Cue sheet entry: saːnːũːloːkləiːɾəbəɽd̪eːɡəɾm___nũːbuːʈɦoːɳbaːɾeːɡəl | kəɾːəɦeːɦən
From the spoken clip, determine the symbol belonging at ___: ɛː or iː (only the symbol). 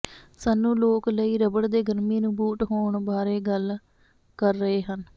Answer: iː